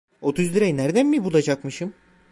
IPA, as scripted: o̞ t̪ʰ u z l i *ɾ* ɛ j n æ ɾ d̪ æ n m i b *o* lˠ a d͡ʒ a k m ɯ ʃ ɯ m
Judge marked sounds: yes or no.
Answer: yes, no

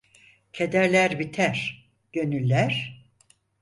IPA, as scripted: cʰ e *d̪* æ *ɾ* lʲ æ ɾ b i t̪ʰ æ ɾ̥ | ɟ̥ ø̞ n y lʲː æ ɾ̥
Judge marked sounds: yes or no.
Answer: yes, yes

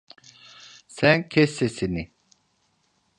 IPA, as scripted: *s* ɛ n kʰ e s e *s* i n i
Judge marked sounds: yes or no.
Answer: yes, yes

